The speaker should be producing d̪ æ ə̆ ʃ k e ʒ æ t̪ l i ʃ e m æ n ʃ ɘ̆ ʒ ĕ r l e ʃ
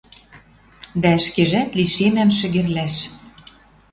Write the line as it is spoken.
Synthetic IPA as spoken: d̪ æ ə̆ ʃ k e ʒ æ t̪ l i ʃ e m æ m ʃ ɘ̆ ɣ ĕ r l æ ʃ